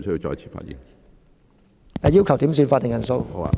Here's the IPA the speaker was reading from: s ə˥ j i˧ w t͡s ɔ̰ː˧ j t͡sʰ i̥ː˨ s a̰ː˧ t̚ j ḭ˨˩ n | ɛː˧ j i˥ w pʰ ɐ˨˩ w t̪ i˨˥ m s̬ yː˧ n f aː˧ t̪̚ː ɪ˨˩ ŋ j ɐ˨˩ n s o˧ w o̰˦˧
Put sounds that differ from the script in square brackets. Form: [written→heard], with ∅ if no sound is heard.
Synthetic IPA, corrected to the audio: s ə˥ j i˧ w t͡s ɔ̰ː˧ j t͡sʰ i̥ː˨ [s→f] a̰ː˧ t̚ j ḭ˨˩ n | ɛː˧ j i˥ w [pʰ→kʰ] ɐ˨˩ w t̪ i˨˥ m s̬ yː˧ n f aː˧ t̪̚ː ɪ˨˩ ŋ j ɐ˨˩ n s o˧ w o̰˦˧